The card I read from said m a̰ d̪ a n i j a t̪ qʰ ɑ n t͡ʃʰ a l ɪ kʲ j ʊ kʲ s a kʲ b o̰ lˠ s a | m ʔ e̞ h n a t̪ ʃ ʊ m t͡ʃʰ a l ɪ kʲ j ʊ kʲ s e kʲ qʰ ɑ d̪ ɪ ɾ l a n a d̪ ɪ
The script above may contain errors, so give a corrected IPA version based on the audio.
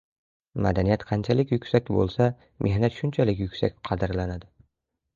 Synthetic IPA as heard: m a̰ d̪ a n i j a t̪ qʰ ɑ n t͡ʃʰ a l ɪ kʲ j ʊ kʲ s a kʲ b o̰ lˠ s a | m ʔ e̞ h n a t̪ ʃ ʊ n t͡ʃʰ a l ɪ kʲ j ʊ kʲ s a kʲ qʰ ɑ d̪ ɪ ɾ l a n a d̪ ɪ